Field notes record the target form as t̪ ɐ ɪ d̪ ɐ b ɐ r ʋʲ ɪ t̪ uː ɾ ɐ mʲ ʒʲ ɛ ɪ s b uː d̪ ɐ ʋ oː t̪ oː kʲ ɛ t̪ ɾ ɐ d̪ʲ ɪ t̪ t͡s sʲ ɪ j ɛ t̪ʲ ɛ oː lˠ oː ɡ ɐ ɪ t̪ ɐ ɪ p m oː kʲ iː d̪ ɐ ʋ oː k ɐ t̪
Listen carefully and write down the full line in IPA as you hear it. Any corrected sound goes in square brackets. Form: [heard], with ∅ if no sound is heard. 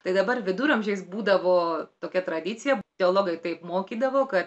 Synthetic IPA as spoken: t̪ ɐ ɪ d̪ ɐ b ɐ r ʋʲ ɪ [d̪] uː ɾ ɐ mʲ ʒʲ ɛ ɪ s b uː d̪ ɐ ʋ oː t̪ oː kʲ ɛ t̪ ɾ ɐ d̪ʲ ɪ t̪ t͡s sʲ ɪ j ɛ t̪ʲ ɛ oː lˠ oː ɡ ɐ ɪ t̪ ɐ ɪ p m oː kʲ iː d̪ ɐ ʋ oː k ɐ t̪